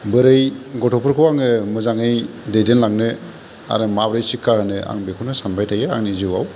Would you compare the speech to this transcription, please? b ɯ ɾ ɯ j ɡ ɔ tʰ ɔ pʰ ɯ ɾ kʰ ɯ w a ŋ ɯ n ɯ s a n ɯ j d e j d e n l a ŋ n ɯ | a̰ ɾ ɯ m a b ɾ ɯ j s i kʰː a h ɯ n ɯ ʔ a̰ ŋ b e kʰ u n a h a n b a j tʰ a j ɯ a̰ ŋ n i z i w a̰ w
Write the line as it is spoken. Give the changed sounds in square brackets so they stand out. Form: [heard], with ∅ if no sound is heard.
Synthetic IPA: b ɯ ɾ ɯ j ɡ ɔ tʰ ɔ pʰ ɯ ɾ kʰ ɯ w a ŋ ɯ [m] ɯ [z] a [ŋ] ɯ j d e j d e n l a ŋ n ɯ | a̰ ɾ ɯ m a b ɾ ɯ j s i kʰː a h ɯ n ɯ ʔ a̰ ŋ b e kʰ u n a [s] a n b a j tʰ a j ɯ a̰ ŋ n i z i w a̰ w